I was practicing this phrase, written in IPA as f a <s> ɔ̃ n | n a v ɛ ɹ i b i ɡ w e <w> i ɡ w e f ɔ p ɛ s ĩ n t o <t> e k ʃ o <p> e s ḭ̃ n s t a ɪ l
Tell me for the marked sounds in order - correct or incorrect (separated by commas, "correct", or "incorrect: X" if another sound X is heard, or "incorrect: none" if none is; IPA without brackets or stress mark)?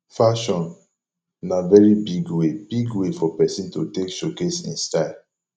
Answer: incorrect: ʃ, incorrect: b, correct, incorrect: k